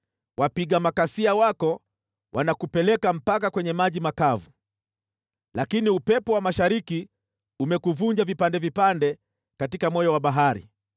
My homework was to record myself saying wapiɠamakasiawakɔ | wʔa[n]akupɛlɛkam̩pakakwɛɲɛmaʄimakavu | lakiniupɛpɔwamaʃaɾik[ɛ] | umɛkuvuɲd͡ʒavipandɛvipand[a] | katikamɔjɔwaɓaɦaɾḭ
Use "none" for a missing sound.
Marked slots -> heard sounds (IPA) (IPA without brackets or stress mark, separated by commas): n, i, ɛ